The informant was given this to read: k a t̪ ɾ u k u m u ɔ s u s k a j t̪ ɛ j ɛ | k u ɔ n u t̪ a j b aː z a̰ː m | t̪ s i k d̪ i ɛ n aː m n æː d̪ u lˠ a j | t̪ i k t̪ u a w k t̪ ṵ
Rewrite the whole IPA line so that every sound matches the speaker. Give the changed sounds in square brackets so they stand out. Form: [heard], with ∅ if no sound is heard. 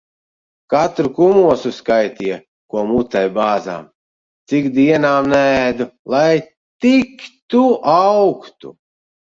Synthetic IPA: k a t̪ ɾ u k u m u ɔ s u s k a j t̪ [i] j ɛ | k u ɔ [m] u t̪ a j b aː z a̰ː m | t̪ s i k d̪ i ɛ n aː m n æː d̪ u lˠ a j | t̪ i k t̪ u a w k t̪ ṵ